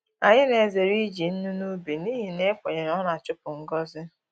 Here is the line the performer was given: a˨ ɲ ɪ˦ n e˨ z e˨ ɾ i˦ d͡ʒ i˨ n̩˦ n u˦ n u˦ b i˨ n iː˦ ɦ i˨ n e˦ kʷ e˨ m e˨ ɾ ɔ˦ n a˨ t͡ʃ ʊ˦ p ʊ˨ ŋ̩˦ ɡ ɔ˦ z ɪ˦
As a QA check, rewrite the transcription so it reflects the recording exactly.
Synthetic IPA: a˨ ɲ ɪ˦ n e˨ z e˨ ɾ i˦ d͡ʒ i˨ n̩˦ n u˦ n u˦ b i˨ n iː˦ ɦ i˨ n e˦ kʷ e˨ ɲ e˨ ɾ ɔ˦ n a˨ t͡ʃ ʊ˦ p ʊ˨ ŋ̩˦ ɡ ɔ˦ z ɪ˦